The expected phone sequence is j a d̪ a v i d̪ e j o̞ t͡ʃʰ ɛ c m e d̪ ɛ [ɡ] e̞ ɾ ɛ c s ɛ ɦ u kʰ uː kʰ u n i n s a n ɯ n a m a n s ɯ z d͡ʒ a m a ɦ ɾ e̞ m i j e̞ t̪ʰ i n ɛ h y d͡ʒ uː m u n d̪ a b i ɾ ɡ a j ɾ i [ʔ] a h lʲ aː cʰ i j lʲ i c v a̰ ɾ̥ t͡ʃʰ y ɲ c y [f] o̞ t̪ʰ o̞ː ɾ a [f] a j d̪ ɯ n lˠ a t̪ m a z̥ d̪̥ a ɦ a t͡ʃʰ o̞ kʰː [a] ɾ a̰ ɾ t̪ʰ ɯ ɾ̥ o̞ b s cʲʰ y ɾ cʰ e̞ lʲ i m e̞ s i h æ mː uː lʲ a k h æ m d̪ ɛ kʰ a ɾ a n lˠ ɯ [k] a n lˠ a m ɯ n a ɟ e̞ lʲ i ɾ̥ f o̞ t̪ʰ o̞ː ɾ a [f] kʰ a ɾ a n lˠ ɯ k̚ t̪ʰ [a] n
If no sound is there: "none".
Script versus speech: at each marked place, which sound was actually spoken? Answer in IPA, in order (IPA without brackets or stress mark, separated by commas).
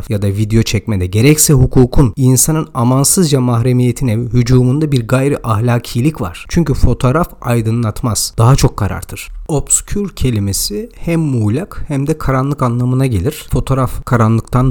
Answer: ɟ, ʔ, f, f, a, k, f, a